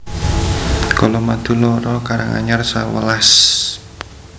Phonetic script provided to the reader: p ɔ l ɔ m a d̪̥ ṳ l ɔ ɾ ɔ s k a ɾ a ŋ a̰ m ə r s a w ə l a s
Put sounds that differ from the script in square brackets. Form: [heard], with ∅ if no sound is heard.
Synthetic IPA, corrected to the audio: [k] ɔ l ɔ m a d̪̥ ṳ l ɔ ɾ ɔ [∅] k a ɾ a ŋ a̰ [ɲ] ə r s a w ə l a s